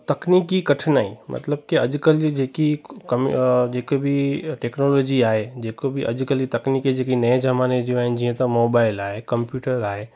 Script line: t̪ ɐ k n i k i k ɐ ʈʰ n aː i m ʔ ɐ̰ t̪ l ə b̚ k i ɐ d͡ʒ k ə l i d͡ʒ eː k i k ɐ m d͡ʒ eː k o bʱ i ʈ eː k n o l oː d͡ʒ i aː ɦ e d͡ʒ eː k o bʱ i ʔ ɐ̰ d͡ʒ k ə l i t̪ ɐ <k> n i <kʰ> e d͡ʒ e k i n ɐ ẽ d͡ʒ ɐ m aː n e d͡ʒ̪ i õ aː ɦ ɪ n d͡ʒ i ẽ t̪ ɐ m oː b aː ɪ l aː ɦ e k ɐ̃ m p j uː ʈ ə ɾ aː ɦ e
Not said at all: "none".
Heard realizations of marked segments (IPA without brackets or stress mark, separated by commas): k, k